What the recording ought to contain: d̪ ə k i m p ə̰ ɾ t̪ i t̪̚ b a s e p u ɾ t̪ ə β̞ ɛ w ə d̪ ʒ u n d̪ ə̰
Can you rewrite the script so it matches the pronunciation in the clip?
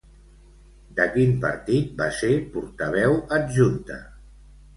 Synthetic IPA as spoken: d̪ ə k i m p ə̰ ɾ t̪ i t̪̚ b a s e p u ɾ t̪ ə β̞ ɛ w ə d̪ ʒ u n t̪ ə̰

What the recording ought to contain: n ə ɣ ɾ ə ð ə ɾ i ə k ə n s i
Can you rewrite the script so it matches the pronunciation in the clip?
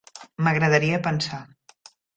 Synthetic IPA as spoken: m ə ɣ ɾ ə ð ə ɾ i ə p ə n s a

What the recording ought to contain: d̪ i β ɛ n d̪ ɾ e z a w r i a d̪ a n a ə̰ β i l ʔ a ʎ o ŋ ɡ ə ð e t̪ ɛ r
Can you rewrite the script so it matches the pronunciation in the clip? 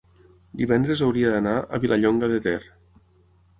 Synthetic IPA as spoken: d̪ i β ɛ n d̪ ɾ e z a w ɾ i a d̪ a n a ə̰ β i l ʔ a ʎ o ŋ ɡ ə ð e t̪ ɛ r

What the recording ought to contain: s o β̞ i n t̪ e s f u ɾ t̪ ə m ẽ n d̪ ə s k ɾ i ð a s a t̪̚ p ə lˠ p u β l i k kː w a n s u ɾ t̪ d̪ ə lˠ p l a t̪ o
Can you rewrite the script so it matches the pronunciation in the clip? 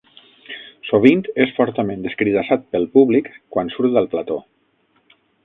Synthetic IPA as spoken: s o β̞ i n t̪ e s f ɔ ɾ t̪ ə m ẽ n d̪ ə s k ɾ i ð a s a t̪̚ p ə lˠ p u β l i k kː w a n s u ɾ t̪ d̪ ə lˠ p l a t̪ o

